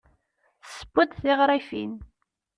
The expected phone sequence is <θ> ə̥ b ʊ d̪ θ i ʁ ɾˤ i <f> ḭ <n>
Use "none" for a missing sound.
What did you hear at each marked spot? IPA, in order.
s, f, n

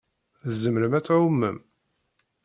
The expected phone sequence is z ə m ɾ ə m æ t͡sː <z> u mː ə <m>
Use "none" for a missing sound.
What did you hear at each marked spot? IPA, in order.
ʕ, m

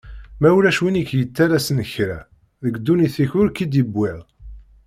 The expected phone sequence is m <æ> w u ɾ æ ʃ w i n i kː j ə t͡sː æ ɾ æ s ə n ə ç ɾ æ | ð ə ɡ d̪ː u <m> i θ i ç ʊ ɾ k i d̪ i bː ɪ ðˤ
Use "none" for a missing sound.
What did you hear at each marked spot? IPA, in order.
æ, n

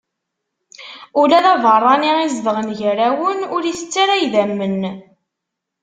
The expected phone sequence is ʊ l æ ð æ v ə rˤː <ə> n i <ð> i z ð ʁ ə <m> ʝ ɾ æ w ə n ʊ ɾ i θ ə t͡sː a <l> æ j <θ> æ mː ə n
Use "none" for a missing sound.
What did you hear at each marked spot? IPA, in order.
ɑ, none, n, ɾ, ð

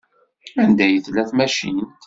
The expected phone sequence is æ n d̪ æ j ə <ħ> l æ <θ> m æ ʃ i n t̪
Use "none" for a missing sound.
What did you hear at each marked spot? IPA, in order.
θ, θ

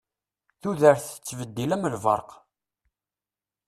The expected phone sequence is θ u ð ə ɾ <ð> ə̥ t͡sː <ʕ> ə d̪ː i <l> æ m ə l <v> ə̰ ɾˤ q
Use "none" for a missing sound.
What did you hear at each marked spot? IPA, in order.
θ, v, l, v

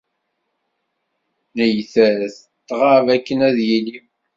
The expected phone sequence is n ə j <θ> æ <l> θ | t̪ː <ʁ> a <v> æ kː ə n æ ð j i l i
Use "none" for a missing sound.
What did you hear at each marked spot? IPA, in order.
θ, none, ʁ, v

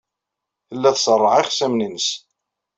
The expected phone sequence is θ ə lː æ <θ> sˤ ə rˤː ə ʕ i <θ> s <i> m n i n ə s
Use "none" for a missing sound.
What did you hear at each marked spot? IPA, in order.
θ, χ, æ

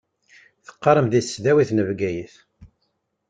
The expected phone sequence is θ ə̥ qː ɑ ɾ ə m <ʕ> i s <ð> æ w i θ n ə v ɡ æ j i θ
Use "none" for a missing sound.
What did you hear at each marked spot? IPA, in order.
ð, ð

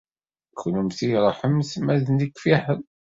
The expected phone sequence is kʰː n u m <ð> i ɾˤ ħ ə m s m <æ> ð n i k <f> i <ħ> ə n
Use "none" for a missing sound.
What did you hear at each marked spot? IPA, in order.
θ, æ, f, ħ

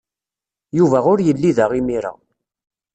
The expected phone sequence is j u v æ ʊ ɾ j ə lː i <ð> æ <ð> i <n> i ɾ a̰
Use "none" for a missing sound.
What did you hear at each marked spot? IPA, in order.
ð, ʁ, m

